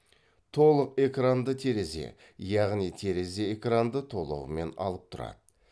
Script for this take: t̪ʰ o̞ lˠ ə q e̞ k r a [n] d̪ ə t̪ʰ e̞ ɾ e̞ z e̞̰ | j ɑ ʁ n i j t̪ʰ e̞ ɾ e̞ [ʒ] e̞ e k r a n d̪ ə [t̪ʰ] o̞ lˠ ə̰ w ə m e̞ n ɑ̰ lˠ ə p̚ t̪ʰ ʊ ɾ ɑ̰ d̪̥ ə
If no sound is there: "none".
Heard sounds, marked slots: n, z, t̪ʰ

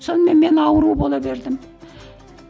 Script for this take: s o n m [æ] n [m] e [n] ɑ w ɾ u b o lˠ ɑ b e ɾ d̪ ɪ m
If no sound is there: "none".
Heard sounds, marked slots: e, m, n

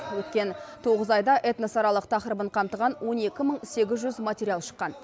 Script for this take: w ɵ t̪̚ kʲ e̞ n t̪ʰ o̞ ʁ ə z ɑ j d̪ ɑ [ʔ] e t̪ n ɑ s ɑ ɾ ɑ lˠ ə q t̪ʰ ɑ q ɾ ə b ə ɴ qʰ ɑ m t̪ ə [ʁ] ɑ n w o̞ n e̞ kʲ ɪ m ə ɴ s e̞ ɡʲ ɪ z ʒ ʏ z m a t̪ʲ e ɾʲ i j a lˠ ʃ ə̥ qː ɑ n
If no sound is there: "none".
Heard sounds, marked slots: ʔ, ʁ

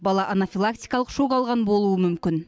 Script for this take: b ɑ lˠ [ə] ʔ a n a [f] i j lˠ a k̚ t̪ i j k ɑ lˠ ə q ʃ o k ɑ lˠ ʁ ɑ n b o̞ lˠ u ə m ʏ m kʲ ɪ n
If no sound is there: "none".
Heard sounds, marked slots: ɑ, f

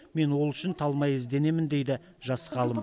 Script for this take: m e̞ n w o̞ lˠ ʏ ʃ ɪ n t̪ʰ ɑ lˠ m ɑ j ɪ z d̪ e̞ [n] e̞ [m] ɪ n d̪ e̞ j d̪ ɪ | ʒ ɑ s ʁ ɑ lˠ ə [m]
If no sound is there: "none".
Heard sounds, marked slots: n, m, m

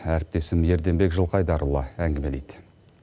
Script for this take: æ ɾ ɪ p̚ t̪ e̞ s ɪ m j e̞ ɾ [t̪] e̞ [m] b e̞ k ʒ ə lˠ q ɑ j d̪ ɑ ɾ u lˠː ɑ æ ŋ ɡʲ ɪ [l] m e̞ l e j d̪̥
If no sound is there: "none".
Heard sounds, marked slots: d̪, m, none

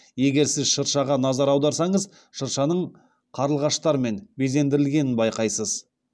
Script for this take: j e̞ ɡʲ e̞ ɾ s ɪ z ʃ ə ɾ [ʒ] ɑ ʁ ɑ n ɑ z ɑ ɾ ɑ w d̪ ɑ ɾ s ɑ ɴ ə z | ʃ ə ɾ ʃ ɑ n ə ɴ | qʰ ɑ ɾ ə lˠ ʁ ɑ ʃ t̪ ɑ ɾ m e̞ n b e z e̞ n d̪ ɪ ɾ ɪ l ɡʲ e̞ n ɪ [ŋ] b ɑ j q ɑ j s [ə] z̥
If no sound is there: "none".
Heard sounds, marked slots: ʃ, n, ə

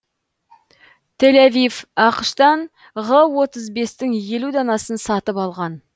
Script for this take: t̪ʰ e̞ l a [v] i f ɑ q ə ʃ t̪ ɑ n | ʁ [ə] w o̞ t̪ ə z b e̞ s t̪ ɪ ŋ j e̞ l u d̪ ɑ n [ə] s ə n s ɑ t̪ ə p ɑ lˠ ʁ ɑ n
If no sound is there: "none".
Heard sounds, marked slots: v, ə, ɑ

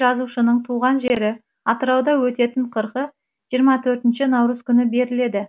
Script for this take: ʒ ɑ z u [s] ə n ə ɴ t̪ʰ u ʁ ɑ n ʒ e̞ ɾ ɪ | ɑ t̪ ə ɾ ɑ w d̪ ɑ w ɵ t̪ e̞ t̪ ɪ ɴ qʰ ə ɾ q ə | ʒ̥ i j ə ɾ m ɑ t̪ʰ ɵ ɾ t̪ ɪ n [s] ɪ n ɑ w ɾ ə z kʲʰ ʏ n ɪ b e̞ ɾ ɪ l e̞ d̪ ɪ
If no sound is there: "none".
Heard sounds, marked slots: ʃ, ʃ

